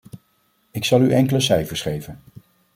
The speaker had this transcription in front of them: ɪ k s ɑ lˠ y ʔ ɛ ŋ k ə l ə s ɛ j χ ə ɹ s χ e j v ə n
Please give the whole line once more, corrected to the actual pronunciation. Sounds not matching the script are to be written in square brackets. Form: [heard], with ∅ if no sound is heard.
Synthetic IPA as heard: ɪ k s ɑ lˠ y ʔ ɛ ŋ k ə l ə s ɛ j [f] ə ɹ s χ e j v ə n